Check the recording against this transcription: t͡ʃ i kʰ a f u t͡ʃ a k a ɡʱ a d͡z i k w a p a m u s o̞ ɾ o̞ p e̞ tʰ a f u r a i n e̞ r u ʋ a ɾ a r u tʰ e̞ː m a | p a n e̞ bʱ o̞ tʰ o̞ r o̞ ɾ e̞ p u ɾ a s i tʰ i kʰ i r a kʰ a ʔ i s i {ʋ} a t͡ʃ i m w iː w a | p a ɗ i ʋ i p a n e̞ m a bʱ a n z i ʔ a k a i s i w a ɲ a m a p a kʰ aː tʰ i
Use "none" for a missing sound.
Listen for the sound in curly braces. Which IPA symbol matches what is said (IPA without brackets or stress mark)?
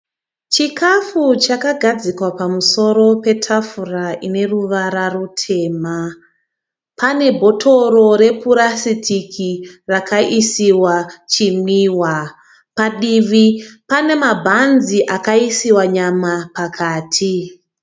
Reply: w